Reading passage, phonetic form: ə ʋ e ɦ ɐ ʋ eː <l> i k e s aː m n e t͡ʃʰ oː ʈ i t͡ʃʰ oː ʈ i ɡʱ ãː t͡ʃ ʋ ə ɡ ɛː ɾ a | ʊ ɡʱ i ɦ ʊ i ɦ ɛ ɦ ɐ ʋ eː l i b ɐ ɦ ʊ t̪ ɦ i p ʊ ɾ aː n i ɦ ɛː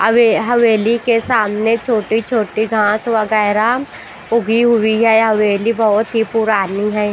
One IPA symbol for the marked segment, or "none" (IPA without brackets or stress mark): l